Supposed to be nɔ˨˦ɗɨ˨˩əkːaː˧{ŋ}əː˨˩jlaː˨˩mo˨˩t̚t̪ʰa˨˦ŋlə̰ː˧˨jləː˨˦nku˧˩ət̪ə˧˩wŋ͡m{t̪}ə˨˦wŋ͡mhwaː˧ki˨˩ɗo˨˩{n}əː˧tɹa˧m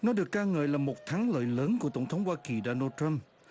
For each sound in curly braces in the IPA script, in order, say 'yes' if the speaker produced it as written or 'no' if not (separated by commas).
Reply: yes, no, yes